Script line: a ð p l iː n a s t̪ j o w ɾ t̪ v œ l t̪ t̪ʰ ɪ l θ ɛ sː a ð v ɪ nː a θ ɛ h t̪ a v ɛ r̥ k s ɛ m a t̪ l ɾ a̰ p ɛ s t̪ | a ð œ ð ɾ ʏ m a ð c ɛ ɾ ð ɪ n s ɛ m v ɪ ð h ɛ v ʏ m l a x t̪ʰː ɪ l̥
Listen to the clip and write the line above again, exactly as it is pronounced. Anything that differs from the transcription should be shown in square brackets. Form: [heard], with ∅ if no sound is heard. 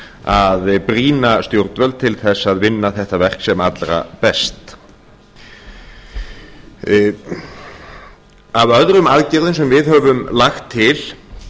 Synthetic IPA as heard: a ð p [ɾ] iː n a s t̪ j o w ɾ t̪ v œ l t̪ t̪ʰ ɪ l θ ɛ sː a ð v ɪ nː a θ ɛ h t̪ a v ɛ r̥ k s ɛ m a t̪ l ɾ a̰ p ɛ s t̪ | a [v] œ ð ɾ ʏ m a ð c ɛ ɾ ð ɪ n s ɛ m v ɪ ð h [œ] v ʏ m l a x t̪ʰː ɪ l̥